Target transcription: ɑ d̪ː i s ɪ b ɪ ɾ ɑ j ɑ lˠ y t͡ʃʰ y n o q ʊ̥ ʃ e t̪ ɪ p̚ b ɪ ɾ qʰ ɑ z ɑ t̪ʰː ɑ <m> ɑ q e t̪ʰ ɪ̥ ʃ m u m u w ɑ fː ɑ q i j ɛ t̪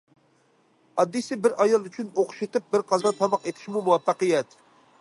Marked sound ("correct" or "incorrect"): correct